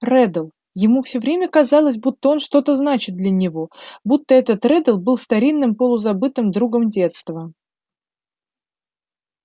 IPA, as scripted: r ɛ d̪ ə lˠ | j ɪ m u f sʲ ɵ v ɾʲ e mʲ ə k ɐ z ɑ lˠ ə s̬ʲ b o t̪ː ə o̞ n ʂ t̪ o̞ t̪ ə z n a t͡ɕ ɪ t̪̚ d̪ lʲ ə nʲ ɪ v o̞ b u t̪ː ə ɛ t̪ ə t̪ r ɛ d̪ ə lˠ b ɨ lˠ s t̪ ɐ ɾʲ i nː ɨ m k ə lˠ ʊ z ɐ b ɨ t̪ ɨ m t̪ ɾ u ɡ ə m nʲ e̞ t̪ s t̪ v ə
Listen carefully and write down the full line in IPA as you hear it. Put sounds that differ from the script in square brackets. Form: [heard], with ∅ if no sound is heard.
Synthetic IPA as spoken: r ɛ d̪ ə lˠ | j ɪ m u f sʲ ɵ v ɾʲ e mʲ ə k ɐ z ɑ lˠ ə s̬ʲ b [u] t̪ː ə o̞ n ʂ t̪ o̞ t̪ ə z n a t͡ɕ ɪ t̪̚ d̪ lʲ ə nʲ ɪ v o̞ b u t̪ː ə ɛ t̪ ə t̪ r ɛ d̪ ə lˠ b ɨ lˠ s t̪ ɐ ɾʲ i nː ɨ m [p] ə lˠ ʊ z ɐ b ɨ t̪ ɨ m [d̪] ɾ u ɡ ə m [dʲ] e̞ t̪ s t̪ v ə